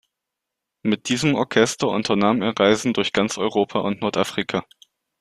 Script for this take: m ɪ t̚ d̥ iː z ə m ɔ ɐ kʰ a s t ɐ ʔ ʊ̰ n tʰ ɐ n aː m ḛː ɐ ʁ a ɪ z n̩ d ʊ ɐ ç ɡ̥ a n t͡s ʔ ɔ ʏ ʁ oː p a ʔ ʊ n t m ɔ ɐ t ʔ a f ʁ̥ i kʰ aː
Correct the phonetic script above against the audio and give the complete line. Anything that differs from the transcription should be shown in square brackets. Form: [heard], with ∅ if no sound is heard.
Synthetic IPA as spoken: m ɪ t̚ d̥ iː z ə m ɔ ɐ kʰ [ɛ] s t ɐ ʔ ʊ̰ n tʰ ɐ n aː m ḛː ɐ ʁ a ɪ z n̩ d ʊ ɐ ç ɡ̥ a n t͡s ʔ ɔ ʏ ʁ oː [pʰ] a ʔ ʊ n t [n] ɔ ɐ t ʔ a f ʁ̥ i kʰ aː